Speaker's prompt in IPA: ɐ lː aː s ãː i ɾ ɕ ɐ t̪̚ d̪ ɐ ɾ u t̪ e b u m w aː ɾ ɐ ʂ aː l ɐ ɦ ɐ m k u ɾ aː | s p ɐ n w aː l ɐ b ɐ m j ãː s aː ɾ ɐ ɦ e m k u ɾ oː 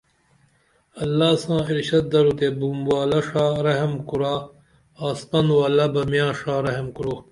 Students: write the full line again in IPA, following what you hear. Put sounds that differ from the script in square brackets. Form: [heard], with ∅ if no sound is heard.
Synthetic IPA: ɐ lː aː s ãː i ɾ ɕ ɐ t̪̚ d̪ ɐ ɾ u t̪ e b u m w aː [l] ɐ ʂ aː [ɾ] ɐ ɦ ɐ m k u ɾ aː | s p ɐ n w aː l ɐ b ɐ m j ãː [ʂ] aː ɾ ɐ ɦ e m k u ɾ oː

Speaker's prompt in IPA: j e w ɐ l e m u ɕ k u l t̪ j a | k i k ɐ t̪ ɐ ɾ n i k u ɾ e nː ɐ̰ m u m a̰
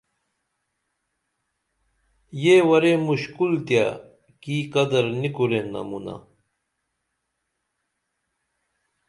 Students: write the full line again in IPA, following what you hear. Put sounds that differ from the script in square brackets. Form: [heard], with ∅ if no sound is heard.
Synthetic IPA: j e w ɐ [ɾ] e m u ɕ k u l t̪ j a | k i k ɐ [d̪] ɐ ɾ n i k u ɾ e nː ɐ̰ m u [n] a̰

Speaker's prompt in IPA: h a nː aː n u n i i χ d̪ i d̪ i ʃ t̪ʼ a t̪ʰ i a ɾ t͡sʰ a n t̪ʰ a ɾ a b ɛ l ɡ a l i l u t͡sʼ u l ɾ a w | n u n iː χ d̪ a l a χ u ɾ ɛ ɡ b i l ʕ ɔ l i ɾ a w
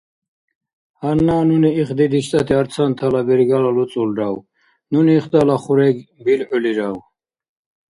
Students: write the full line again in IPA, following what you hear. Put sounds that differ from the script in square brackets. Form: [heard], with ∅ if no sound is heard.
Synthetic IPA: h a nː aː n u n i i χ d̪ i d̪ i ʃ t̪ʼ a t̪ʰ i a ɾ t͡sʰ a n t̪ʰ a [l] a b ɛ [ɾ] ɡ a l [a] l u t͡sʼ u l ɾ a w | n u n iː χ d̪ a l a χ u ɾ ɛ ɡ b i l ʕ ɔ l i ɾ a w

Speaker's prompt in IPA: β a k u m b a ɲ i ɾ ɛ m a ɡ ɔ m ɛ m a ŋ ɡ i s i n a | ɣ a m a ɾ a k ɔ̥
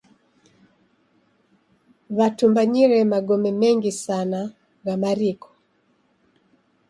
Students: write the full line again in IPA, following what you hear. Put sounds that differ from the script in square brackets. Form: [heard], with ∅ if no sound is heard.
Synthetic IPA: β a [t] u m b a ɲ i ɾ ɛ m a ɡ ɔ m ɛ m [ɛ] ŋ ɡ i s [a] n a | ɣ a m a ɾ [i] k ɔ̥

